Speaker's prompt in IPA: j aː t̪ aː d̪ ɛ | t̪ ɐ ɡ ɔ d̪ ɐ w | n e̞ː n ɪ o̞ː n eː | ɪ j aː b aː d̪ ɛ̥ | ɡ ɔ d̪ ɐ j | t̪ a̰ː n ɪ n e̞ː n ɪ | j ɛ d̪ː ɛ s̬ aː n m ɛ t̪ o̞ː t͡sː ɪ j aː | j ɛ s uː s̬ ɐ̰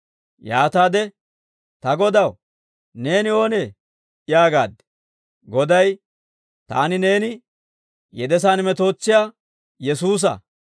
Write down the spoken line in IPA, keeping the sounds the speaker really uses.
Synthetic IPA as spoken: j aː t̪ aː d̪ ɛ | t̪ ɐ ɡ ɔ d̪ ɐ w | n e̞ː n ɪ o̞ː n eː | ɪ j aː ɡ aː d̪ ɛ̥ | ɡ ɔ d̪ ɐ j | t̪ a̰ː n ɪ n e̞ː n ɪ | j ɛ d̪ ɛ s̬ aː n m ɛ t̪ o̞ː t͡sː ɪ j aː | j ɛ s uː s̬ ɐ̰